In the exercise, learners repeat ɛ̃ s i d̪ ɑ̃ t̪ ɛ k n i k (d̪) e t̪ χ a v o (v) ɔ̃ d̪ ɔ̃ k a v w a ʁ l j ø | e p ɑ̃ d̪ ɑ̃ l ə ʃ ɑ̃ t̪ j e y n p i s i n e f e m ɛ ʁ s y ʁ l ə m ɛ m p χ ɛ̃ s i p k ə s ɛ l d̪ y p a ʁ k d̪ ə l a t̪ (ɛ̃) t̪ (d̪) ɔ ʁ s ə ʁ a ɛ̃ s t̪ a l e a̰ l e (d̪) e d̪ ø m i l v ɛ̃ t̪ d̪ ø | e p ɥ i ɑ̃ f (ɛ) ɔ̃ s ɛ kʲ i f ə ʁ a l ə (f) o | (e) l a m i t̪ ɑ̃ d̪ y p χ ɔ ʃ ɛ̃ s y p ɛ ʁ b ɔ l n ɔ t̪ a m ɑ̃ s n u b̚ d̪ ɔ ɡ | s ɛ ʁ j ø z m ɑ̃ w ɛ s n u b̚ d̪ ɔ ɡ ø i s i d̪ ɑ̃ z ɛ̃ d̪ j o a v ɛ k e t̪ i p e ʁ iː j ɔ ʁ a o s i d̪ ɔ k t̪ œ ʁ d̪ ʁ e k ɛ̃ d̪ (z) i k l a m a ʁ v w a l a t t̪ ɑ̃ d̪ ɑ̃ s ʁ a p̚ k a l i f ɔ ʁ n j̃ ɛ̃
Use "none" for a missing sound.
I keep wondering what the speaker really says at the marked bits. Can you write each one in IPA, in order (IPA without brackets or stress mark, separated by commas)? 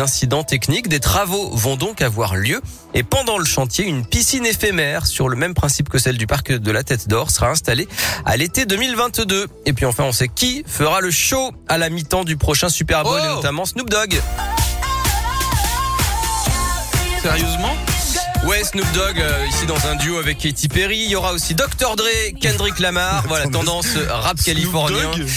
d̪, v, ɛ, d̪, t̪, ɛ̃, ʃ, a, ʁ